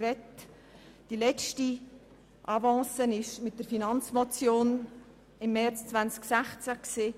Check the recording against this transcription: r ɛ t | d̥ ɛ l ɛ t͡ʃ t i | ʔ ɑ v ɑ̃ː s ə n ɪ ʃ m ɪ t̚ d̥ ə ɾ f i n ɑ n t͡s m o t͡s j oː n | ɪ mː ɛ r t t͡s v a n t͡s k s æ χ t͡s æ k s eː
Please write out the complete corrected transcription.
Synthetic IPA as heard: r ɛ t | d̥ i l ɛ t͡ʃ t i | ʔ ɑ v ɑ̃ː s ə n ɪ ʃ m ɪ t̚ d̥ ə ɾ f i n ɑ n t͡s m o t͡s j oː n | ɪ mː ɛ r t͡s t͡s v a n t͡s k s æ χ t͡s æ k s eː